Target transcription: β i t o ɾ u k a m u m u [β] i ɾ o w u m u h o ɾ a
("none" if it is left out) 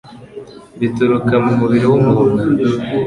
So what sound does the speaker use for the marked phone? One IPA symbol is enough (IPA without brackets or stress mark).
β